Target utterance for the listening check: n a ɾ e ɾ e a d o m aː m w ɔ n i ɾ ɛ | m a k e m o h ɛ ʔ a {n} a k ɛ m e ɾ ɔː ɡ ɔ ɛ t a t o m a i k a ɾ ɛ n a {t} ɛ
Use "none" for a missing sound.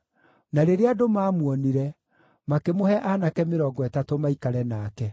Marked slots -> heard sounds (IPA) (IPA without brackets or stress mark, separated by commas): n, k